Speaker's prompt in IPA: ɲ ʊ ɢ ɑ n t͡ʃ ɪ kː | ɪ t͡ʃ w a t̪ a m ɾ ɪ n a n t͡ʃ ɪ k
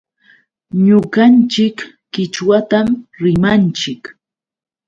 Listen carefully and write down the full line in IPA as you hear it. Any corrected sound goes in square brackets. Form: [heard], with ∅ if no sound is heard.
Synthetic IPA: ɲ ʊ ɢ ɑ n t͡ʃ ɪ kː | ɪ t͡ʃ w a t̪ a m ɾ ɪ [m] a n t͡ʃ ɪ k